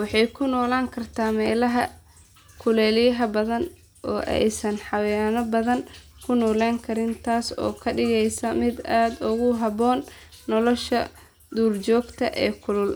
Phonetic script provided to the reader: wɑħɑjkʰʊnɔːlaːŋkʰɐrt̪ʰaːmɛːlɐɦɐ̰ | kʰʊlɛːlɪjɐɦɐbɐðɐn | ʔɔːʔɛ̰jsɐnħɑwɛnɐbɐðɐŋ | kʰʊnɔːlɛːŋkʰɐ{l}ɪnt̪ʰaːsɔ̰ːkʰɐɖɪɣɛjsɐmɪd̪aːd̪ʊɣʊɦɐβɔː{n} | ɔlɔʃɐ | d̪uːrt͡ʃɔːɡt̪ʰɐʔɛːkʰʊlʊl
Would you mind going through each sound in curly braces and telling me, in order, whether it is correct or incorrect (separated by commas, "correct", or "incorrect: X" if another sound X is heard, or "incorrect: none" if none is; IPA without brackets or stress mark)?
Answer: incorrect: ɾ, incorrect: nː